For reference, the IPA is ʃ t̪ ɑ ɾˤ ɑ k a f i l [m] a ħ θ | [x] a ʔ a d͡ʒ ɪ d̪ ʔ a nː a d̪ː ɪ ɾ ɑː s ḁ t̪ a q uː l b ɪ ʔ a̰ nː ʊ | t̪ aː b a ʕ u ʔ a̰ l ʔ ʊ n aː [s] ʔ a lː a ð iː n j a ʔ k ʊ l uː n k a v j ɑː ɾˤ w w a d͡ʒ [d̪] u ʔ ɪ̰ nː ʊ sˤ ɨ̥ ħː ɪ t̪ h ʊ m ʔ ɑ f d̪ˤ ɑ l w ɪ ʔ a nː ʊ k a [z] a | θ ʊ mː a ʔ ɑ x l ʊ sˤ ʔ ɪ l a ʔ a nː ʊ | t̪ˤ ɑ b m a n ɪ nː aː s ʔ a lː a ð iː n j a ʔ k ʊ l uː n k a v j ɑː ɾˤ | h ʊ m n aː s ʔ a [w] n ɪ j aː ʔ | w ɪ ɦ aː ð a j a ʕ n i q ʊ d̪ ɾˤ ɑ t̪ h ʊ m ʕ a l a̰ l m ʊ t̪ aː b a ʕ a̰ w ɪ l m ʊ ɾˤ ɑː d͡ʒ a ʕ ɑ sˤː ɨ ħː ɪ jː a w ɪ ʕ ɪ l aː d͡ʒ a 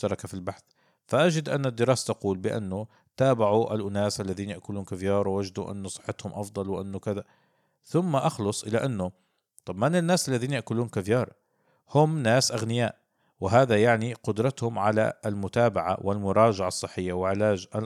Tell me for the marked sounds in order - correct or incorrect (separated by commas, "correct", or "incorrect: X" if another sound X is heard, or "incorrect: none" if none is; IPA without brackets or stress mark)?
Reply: incorrect: b, incorrect: f, correct, correct, incorrect: ð, incorrect: ɣ